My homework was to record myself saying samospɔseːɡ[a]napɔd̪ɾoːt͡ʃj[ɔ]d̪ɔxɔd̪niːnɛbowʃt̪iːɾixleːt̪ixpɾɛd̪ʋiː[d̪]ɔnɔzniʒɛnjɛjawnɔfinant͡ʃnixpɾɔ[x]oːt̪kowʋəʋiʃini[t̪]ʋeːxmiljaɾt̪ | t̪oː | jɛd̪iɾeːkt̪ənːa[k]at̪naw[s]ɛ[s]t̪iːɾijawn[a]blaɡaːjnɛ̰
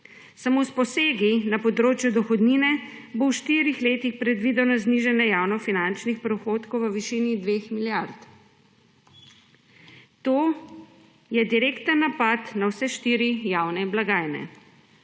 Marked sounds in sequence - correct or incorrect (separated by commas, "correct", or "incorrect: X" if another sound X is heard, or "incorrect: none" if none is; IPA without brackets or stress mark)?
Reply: incorrect: i, incorrect: u, correct, correct, incorrect: d̪, incorrect: p, correct, incorrect: ʃ, incorrect: ɛ